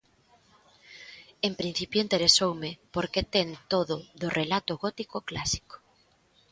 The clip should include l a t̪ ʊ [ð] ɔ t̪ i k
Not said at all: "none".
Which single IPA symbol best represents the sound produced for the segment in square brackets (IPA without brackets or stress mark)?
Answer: ɣ